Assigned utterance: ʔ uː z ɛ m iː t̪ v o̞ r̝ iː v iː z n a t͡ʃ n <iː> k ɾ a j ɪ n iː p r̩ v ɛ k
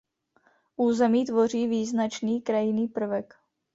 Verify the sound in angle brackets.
correct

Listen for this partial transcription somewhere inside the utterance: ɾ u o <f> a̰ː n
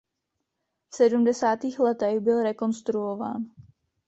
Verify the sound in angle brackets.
incorrect: v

